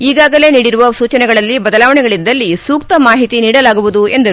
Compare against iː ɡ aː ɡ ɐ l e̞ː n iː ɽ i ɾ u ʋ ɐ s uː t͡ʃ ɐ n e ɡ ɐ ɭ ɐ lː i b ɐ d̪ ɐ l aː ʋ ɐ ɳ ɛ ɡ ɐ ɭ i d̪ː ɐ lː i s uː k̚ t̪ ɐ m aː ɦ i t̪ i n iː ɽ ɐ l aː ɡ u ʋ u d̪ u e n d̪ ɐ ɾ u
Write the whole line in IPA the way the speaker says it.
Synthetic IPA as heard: iː ɡ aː ɡ ɐ l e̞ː n iː ɽ i ɾ u ʋ ɐ s uː t͡ʃ ɐ n ɛ ɡ ɐ ɭ ɐ lː i b ɐ d̪ ɐ l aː ʋ ɐ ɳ ɛ ɡ ɐ ɭ i d̪ː ɐ lː i s uː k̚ t̪ ɐ m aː ɦ i t̪ i n iː ɽ ɐ l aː ɡ u ʋ u d̪ u e n d̪ ɐ ɾ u